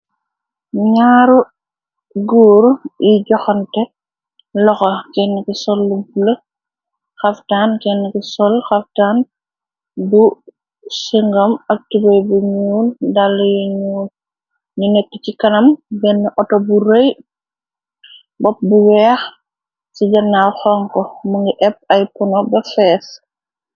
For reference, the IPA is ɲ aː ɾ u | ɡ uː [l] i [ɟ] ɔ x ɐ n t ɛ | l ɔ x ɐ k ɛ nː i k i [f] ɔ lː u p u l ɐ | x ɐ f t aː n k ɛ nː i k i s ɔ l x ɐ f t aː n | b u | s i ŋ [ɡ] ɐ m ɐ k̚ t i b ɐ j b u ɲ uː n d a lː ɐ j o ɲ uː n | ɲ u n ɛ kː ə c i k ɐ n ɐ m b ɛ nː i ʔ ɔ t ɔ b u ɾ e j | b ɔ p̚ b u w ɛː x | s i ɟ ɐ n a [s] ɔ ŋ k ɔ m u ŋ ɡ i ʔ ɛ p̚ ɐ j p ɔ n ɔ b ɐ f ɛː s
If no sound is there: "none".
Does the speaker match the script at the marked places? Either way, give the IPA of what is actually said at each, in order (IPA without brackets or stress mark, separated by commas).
ɾ, ɟ, s, ɡ, x